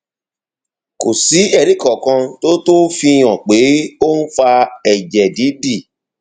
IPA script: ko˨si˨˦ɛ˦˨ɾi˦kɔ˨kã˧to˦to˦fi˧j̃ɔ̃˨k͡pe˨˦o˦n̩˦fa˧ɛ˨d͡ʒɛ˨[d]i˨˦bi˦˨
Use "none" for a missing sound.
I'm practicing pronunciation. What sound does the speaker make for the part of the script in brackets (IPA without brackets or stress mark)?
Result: d